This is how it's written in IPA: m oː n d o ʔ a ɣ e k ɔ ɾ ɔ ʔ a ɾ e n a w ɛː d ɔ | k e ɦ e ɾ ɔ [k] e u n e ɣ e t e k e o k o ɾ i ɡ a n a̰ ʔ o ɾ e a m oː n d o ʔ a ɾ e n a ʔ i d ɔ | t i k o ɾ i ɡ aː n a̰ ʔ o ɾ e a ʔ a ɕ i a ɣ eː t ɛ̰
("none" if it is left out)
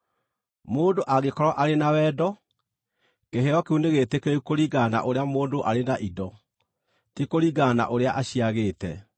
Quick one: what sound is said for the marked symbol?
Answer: k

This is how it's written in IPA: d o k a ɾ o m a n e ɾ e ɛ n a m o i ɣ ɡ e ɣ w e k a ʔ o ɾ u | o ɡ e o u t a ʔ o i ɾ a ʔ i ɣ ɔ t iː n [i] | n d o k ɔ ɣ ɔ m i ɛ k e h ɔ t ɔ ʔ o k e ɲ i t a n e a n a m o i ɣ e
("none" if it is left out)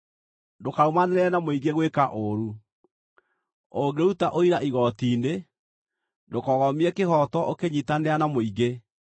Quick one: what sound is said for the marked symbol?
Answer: e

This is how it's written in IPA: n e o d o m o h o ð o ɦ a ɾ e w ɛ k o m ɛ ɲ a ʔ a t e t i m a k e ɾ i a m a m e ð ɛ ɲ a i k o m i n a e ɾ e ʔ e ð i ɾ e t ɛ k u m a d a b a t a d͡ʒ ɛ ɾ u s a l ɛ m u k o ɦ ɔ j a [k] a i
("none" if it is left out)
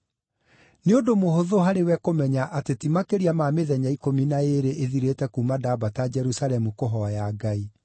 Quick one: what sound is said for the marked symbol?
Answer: ɡ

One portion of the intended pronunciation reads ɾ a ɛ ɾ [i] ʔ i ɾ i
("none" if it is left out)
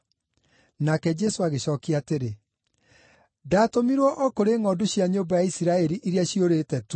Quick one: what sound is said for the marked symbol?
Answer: i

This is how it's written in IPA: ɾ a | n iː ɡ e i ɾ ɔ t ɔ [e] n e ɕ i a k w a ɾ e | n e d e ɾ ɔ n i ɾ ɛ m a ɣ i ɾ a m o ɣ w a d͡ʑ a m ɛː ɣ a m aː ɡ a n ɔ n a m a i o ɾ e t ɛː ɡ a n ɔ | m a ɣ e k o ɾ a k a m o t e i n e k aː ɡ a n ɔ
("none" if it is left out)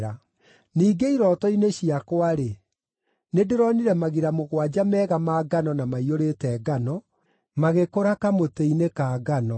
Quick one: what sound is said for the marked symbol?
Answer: i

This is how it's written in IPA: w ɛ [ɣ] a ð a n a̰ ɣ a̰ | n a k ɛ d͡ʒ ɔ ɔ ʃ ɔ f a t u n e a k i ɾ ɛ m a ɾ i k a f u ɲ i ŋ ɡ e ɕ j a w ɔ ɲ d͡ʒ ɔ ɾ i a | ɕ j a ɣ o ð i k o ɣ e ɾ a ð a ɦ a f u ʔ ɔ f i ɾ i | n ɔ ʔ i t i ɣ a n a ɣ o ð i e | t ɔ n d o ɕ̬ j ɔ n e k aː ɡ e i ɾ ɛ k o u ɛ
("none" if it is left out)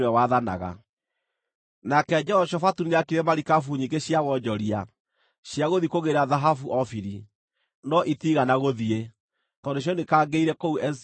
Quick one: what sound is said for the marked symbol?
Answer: w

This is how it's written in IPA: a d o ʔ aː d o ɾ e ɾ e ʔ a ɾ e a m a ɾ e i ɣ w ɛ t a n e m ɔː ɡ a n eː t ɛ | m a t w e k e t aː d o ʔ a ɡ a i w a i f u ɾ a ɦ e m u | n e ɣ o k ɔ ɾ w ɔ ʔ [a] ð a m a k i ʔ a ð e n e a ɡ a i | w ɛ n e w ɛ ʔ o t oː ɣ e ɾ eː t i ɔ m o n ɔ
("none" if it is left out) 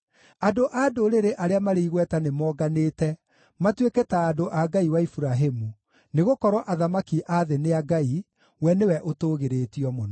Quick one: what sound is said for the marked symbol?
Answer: a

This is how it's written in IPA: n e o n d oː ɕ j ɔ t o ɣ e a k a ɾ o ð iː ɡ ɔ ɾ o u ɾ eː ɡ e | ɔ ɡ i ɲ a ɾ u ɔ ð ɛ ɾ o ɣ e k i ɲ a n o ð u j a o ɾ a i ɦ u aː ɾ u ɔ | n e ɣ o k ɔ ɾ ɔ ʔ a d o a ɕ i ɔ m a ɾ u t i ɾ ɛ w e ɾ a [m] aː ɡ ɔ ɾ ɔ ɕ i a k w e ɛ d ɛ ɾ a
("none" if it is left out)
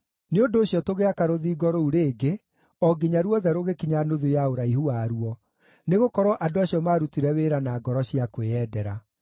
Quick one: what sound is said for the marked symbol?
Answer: n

